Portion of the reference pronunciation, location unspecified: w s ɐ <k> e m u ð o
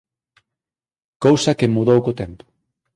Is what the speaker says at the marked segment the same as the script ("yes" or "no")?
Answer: yes